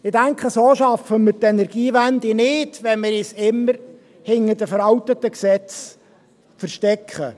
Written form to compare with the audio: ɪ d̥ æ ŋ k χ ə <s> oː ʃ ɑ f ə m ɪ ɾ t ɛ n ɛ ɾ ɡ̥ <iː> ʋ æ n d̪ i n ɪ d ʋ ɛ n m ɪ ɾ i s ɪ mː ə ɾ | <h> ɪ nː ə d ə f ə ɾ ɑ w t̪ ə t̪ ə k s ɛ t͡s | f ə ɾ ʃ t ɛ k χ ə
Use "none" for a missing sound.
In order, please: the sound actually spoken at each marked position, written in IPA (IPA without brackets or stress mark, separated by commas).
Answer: s, iː, h